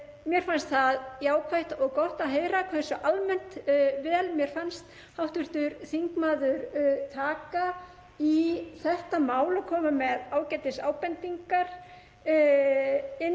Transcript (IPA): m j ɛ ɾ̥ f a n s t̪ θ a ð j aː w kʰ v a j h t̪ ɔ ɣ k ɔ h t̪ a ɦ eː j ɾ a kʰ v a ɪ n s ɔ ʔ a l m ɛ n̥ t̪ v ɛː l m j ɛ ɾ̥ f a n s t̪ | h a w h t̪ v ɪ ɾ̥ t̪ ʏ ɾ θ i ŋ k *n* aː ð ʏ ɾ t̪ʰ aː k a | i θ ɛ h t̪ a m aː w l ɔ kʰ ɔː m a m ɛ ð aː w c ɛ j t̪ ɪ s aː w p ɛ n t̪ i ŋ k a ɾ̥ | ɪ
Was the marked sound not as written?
yes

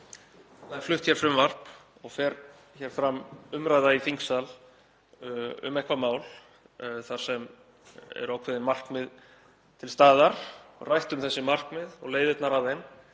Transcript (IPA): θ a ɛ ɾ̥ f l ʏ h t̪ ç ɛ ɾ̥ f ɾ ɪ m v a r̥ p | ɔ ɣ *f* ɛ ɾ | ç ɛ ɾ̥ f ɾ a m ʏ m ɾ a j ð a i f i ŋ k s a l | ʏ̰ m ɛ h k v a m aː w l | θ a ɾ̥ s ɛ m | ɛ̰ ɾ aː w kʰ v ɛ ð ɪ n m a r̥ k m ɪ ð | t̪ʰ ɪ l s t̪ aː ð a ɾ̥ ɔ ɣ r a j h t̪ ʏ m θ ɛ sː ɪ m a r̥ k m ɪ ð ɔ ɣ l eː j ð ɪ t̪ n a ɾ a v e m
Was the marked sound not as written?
no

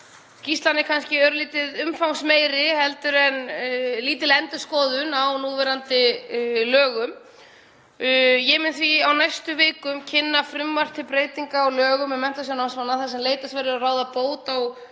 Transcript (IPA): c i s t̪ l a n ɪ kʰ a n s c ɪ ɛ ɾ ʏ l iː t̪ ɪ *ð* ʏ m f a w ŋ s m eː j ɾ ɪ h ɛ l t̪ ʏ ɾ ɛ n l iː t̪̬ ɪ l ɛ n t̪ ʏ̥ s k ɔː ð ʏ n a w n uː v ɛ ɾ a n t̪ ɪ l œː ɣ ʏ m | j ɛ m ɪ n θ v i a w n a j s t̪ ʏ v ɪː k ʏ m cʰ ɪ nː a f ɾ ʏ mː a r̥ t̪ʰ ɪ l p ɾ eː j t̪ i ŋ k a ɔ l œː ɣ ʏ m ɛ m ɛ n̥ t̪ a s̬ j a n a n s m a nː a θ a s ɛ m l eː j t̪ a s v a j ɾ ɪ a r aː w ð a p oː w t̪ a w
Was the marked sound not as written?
no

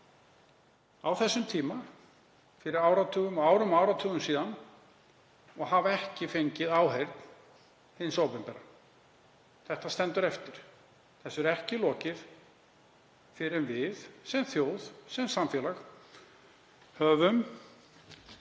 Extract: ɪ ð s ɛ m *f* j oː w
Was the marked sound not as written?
yes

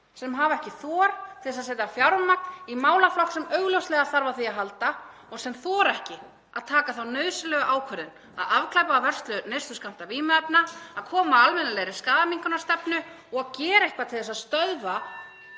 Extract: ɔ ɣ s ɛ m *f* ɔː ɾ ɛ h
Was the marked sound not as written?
yes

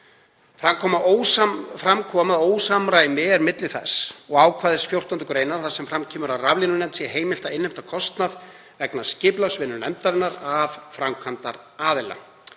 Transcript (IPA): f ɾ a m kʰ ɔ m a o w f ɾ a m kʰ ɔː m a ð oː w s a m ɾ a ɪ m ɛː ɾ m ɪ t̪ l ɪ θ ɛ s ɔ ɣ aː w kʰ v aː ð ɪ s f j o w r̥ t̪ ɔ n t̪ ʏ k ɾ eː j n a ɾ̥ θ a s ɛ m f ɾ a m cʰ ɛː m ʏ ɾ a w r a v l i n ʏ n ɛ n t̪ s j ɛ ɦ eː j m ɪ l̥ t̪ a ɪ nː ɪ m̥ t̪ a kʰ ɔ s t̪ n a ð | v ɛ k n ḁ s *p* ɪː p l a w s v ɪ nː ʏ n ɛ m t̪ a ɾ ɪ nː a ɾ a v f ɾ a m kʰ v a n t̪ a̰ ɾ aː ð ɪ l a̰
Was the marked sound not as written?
yes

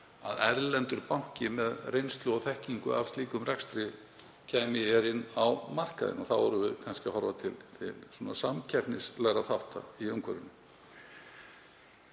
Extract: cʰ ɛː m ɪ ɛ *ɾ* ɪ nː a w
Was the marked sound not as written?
no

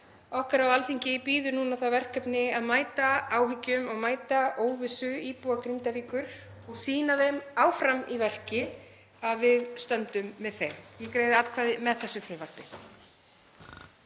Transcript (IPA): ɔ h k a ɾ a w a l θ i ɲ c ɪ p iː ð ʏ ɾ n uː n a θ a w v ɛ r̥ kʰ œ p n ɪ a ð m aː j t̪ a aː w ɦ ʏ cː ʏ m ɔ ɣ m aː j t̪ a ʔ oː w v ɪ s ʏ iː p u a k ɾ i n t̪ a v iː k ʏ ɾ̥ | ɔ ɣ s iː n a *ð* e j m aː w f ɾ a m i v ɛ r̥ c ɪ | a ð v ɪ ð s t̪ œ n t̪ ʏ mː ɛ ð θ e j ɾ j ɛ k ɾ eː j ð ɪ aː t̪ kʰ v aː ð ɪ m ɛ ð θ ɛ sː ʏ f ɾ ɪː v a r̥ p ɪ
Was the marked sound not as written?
no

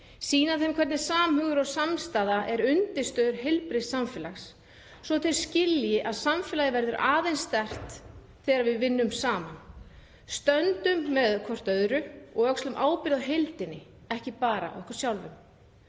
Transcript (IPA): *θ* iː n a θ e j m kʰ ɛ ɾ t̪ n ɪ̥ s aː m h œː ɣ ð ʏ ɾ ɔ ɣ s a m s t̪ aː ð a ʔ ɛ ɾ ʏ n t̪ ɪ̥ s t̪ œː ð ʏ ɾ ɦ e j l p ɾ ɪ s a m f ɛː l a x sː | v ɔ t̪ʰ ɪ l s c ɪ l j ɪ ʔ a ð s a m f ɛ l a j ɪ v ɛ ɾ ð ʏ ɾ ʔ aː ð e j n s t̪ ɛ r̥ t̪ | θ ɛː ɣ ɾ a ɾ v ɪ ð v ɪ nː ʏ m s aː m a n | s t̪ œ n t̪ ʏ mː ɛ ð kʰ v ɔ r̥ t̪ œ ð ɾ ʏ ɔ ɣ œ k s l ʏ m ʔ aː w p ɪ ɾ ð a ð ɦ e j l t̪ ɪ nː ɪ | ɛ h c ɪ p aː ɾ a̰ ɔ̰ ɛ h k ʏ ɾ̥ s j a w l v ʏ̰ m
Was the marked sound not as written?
yes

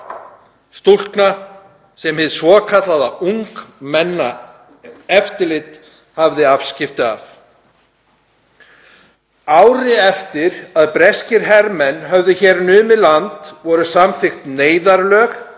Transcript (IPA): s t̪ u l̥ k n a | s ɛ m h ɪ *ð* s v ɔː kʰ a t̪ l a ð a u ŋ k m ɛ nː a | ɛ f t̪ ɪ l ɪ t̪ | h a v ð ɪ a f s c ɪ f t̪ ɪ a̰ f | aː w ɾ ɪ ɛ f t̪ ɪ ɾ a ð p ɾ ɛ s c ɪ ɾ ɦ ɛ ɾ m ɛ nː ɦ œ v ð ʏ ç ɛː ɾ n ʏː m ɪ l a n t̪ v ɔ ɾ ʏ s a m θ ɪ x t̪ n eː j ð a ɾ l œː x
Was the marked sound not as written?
no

